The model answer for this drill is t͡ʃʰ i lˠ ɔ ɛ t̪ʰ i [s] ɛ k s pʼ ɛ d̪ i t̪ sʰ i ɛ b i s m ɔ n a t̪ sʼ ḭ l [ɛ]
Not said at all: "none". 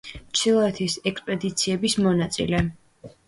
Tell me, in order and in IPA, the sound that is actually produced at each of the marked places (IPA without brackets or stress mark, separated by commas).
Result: s, ɛ